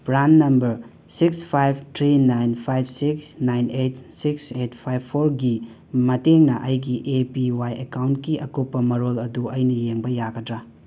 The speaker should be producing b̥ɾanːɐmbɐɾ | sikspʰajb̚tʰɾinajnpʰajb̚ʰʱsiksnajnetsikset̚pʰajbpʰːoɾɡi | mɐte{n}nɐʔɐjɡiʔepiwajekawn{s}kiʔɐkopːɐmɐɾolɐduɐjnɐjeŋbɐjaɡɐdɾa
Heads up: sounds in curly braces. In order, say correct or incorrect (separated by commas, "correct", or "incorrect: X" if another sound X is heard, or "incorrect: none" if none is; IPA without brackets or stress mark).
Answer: incorrect: ŋ, incorrect: t